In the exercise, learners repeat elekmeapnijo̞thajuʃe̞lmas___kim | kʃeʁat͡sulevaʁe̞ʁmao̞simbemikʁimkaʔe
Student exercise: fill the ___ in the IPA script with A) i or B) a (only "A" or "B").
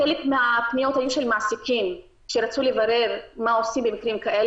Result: A